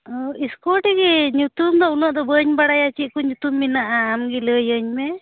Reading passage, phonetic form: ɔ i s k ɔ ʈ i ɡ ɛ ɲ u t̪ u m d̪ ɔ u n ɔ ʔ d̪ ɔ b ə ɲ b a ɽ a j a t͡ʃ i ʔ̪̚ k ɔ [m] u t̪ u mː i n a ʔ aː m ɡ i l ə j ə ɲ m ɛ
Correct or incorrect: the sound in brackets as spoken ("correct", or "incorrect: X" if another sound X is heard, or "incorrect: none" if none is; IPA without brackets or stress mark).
incorrect: ɲ